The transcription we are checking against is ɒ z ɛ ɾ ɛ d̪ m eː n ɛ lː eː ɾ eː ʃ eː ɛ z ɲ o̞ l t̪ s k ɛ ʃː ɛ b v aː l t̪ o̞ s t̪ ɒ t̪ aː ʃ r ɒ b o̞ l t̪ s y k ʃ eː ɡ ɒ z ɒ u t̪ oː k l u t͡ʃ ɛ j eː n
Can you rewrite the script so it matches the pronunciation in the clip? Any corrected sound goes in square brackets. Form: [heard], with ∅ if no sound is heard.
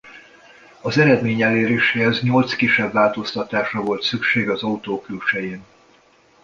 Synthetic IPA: ɒ z ɛ ɾ ɛ d̪ m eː [ɲ] ɛ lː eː ɾ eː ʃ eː ɛ z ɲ o̞ l t̪ s k [i] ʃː ɛ b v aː l t̪ o̞ s t̪ ɒ t̪ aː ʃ r ɒ [v] o̞ l t̪ s y k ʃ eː ɡ ɒ z ɒ u t̪ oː k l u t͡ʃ ɛ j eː n